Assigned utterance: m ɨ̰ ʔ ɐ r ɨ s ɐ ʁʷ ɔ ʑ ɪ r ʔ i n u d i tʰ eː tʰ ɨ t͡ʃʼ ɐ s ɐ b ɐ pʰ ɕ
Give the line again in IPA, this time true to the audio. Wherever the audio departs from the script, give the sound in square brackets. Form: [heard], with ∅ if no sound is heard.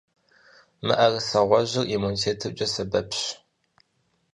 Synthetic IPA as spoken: m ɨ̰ ʔ ɐ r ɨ s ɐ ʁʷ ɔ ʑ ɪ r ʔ i [m] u [n] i tʰ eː tʰ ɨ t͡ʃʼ ɐ s ɐ b ɐ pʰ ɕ